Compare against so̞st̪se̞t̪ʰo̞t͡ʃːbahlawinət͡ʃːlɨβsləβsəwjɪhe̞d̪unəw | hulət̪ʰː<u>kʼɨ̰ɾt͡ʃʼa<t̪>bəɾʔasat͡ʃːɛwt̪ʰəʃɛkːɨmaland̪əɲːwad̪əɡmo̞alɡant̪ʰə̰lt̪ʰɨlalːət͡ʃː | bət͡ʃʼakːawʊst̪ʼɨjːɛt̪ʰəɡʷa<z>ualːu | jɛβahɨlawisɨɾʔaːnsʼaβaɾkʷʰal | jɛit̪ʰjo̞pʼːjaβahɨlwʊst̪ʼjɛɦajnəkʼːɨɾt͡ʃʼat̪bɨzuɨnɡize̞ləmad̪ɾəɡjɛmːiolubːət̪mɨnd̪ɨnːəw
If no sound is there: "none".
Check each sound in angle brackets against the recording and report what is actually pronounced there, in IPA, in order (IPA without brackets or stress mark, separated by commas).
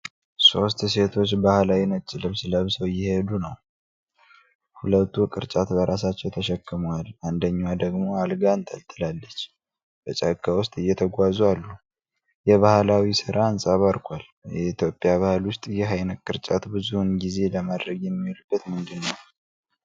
u, t̪, z